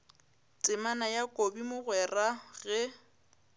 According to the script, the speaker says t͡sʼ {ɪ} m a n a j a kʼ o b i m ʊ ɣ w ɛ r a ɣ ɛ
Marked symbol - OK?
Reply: yes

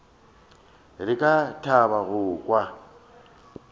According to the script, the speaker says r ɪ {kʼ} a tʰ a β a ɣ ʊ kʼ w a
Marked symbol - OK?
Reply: yes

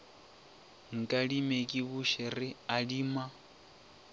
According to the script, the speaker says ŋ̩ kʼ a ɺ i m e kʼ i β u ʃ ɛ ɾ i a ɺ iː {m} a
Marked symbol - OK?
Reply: yes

